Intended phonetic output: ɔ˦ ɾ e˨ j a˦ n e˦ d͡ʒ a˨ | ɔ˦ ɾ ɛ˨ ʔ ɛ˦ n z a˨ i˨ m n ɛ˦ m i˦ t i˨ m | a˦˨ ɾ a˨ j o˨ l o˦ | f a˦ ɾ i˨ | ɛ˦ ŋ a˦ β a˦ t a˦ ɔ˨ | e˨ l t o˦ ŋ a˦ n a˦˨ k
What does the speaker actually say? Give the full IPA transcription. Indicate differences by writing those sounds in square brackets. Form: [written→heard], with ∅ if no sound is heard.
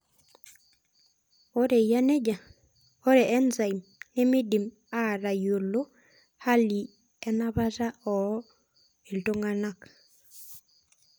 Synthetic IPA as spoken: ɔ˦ ɾ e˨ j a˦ n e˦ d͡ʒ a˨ | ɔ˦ ɾ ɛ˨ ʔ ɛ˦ n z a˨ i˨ m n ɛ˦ m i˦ [t→d] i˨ m | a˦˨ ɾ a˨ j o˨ l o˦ | [f→h] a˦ [ɾ→l] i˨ | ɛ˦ [ŋ→n] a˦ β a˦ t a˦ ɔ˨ | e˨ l t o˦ ŋ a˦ n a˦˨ k